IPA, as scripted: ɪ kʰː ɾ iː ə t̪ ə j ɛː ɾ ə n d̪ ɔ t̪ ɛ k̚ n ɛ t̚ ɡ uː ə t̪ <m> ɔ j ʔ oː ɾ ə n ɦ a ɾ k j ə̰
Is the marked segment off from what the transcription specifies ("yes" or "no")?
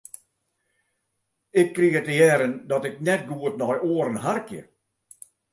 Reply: yes